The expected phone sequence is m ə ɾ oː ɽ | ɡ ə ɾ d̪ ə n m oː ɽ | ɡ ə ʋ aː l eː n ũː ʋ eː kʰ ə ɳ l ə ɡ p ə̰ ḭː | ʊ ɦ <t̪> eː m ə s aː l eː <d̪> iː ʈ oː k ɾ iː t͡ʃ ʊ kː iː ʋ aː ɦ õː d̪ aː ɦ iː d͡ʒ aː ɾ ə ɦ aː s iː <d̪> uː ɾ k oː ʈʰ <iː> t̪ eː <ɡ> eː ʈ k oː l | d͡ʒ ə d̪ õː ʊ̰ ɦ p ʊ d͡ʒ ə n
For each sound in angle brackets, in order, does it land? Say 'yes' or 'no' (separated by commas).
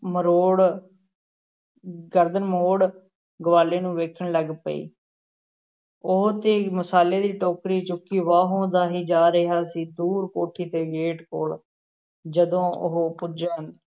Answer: yes, yes, yes, yes, yes